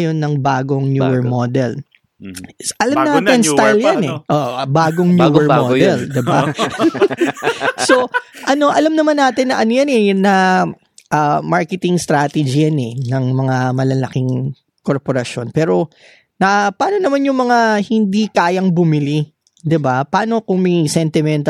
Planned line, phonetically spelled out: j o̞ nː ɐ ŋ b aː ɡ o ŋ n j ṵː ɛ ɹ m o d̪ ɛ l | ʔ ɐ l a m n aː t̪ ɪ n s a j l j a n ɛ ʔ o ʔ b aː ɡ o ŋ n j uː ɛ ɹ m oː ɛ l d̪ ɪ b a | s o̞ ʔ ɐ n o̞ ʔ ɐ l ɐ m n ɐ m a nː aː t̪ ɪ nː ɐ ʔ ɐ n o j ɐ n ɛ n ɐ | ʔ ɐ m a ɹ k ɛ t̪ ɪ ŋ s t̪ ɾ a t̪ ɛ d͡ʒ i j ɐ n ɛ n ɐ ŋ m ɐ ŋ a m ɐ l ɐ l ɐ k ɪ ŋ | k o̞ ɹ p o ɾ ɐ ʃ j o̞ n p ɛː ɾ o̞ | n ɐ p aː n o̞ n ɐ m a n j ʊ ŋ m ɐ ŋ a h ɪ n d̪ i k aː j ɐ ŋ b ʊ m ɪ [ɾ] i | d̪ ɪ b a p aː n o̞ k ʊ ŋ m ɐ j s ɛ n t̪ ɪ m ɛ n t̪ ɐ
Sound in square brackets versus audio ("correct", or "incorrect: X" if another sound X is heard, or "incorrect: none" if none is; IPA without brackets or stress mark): incorrect: l